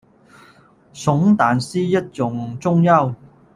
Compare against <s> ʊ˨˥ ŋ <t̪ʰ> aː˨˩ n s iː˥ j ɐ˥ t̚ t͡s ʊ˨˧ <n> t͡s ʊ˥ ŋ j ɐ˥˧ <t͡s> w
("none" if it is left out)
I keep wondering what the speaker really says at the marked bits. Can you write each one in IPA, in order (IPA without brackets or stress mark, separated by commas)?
s, t̪, ŋ, none